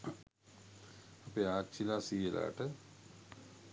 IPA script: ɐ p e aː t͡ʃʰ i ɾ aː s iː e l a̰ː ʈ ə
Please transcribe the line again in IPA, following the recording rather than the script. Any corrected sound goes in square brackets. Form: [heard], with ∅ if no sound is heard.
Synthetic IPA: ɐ p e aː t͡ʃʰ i [l] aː s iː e l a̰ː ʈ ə